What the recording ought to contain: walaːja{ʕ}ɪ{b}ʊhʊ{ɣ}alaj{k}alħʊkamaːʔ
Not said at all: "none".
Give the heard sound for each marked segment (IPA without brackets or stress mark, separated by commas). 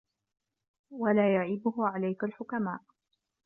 ʕ, b, ʕ, k